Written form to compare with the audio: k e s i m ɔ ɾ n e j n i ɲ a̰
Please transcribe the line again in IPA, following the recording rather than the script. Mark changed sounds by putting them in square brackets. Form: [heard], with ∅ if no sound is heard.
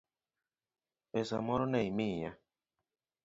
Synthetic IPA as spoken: [p] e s [a] m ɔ ɾ n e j [m] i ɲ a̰